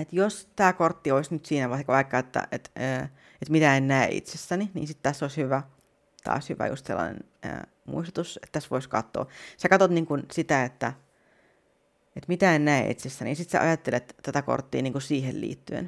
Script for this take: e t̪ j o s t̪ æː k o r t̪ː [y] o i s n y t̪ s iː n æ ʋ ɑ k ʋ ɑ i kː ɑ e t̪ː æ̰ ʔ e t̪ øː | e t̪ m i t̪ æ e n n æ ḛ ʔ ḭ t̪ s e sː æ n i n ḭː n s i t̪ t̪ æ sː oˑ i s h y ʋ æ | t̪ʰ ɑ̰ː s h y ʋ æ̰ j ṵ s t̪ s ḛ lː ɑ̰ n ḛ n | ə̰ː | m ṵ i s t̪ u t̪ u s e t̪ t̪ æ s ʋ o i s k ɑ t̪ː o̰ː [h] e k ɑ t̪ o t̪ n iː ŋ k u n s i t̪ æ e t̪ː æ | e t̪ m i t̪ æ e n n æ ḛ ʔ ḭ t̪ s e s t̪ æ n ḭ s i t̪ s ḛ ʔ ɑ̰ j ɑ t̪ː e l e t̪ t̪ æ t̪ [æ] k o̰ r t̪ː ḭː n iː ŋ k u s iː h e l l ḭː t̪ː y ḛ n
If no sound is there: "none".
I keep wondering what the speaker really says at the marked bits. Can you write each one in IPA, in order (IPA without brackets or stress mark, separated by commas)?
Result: i, s, æ